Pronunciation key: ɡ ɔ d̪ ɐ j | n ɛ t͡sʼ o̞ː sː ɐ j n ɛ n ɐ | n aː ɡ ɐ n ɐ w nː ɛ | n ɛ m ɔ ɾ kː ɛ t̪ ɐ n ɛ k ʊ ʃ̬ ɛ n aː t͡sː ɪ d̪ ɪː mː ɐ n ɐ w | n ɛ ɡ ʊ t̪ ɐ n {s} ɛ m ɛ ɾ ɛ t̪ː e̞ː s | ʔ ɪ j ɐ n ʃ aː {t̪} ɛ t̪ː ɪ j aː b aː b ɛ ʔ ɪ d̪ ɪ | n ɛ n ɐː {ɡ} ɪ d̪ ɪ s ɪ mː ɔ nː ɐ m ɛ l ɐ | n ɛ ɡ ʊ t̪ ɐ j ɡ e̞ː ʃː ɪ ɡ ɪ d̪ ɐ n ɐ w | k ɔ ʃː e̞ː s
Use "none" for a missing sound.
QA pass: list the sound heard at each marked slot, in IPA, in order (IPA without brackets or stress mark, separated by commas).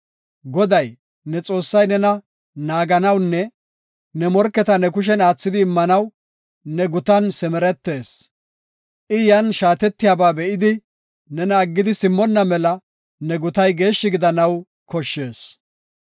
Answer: s, t̪, ɡː